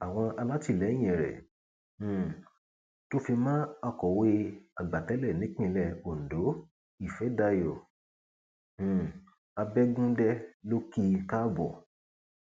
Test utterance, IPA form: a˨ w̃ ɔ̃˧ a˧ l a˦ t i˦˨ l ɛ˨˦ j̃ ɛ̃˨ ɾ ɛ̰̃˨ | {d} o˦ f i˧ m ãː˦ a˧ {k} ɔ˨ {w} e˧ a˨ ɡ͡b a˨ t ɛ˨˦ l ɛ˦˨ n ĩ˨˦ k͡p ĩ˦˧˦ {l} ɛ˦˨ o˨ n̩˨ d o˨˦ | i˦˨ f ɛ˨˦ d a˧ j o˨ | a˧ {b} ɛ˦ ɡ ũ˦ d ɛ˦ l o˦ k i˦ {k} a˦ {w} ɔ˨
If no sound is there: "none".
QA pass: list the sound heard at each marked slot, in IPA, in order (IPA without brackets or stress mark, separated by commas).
t, k, w, l, b, k, b